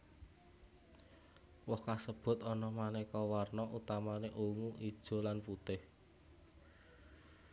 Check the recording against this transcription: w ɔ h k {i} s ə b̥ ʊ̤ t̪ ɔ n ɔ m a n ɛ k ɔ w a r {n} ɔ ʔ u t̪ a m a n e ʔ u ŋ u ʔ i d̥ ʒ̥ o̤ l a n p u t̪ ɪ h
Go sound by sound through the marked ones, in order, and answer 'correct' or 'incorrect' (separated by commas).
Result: incorrect, correct